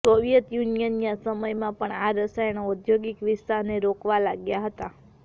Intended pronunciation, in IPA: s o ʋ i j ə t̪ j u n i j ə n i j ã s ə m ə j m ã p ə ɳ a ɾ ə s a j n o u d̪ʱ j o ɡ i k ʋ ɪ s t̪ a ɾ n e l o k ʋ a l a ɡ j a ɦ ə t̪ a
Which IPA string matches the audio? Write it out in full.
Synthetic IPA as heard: s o ʋ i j ə t̪ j u n i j ə n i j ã s ə m ə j m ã p ə ɳ a ɾ ə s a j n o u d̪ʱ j o ɡ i k ʋ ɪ s t̪ a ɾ n e ɾ o k ʋ a l a ɡ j a ɦ ə t̪ a